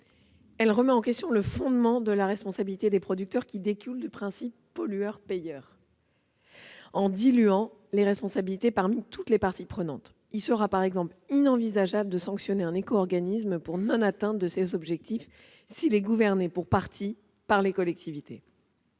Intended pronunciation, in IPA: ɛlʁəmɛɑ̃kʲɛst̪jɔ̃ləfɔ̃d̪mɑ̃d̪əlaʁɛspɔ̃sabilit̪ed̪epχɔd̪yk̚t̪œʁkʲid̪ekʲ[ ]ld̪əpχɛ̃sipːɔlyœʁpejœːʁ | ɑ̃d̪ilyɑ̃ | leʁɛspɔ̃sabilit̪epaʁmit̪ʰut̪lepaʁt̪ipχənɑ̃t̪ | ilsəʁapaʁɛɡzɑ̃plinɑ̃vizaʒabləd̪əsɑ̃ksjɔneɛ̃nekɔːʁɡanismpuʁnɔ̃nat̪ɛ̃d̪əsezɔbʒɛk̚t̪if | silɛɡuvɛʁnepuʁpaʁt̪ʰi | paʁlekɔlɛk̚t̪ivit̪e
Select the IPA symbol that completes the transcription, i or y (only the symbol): y